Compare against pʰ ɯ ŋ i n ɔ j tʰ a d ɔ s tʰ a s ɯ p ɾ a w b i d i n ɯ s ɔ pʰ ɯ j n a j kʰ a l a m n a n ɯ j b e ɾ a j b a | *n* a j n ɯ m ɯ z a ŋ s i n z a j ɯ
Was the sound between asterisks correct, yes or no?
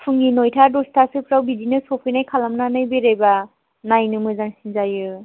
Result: yes